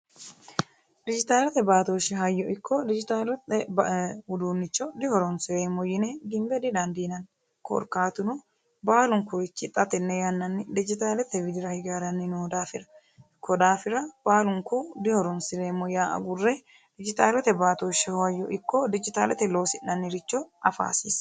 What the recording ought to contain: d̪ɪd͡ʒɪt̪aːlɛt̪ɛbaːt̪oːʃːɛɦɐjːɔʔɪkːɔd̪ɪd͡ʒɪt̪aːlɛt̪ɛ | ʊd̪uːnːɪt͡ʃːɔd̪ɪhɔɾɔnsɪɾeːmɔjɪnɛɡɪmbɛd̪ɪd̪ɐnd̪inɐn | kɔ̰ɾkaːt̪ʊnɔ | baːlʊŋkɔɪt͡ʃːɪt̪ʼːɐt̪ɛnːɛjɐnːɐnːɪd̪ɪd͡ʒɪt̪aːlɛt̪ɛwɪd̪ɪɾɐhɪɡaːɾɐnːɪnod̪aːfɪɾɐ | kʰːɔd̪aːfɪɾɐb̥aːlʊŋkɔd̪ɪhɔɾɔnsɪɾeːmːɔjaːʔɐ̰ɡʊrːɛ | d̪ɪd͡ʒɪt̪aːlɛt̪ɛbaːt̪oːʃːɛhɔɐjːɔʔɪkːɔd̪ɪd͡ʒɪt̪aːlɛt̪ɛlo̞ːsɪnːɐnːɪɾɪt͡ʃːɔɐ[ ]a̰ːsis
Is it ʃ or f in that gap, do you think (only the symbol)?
f